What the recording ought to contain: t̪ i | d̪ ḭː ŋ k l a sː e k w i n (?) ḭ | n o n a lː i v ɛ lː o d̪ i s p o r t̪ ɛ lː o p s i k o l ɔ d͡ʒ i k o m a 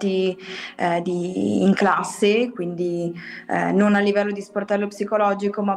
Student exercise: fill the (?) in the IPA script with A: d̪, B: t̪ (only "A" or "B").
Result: A